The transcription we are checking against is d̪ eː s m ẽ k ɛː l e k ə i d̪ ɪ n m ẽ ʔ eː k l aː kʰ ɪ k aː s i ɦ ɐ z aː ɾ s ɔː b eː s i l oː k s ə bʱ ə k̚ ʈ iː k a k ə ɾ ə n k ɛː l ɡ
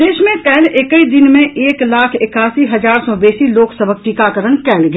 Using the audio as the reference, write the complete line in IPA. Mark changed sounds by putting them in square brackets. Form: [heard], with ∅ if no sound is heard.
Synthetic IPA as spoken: d̪ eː [ʃ] m ẽ k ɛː l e k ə i d̪ ɪ n m ẽ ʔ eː k l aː kʰ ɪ k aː s i ɦ ɐ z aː ɾ s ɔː b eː s i l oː k s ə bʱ ə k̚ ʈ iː k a k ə ɾ ə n k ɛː l ɡ